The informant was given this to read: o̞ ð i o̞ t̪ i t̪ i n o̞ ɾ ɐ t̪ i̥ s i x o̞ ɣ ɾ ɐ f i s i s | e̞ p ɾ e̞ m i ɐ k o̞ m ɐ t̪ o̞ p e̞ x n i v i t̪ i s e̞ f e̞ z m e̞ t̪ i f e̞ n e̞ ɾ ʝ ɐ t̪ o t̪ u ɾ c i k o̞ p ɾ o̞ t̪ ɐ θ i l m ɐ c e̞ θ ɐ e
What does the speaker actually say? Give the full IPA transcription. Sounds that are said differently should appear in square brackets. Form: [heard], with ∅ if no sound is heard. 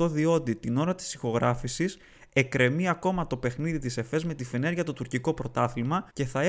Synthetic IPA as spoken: o̞ ð i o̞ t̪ i t̪ i n o̞ ɾ ɐ t̪ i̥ s i x o̞ ɣ ɾ ɐ f i s i s | e̞ [k] ɾ e̞ m i ɐ k o̞ m ɐ t̪ o̞ p e̞ x n i [ð] i t̪ i s e̞ f e̞ z m e̞ t̪ i f e̞ n e̞ ɾ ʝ ɐ t̪ o t̪ u ɾ c i k o̞ p ɾ o̞ t̪ ɐ θ i l m ɐ c e̞ θ ɐ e